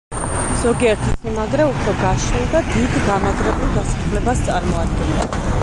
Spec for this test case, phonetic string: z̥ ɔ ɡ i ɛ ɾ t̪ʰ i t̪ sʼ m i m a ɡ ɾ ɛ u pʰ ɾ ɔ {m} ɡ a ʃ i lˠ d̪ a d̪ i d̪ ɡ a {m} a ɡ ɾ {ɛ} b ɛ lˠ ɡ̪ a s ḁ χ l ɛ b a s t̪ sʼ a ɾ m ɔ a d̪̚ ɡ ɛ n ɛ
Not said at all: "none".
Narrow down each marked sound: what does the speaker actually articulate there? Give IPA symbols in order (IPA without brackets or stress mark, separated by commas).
none, m, ɛ